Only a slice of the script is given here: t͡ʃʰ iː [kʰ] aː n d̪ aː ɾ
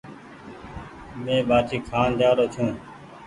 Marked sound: correct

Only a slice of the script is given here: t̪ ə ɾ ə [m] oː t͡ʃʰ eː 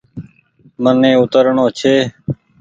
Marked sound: incorrect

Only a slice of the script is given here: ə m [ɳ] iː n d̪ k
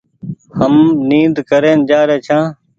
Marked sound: incorrect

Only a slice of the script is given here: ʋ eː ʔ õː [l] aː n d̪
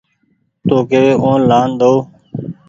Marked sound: correct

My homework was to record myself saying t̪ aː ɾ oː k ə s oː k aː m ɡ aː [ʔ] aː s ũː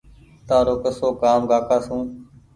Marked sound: incorrect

